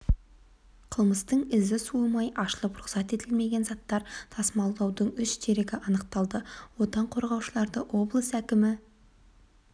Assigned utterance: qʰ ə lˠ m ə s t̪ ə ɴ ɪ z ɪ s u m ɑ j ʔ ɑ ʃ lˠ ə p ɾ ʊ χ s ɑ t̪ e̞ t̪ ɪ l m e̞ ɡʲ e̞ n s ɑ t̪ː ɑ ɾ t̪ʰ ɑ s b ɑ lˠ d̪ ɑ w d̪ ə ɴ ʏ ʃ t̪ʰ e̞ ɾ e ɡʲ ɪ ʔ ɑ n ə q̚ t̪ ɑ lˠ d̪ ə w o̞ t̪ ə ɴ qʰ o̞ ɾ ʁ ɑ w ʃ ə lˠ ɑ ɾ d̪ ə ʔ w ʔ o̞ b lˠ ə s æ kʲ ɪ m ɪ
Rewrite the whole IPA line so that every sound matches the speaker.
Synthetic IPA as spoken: qʰ ə lˠ m ə s t̪ ə ɴ ɪ z ɪ s u m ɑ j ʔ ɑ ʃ lˠ ə p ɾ ʊ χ s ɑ t̪ e̞ t̪ ɪ l m e̞ ɡʲ e̞ n z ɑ t̪ː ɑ ɾ t̪ʰ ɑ s m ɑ lˠ d̪ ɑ w d̪ ə ɴ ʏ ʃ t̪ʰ e̞ ɾ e ɡʲ ɪ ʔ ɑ n ə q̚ t̪ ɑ lˠ d̪ ə w o̞ t̪ ɑ ɴ qʰ o̞ ɾ ʁ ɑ w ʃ ə lˠ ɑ ɾ d̪ ə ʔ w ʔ o̞ b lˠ ə s æ kʲ ɪ m ɪ